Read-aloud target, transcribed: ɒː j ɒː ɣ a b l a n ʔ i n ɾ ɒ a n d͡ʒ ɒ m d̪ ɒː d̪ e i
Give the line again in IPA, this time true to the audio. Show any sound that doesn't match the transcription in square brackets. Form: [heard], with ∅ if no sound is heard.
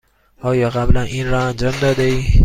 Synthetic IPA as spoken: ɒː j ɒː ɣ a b l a n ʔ i n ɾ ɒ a n d͡ʒ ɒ m d̪ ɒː d̪ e i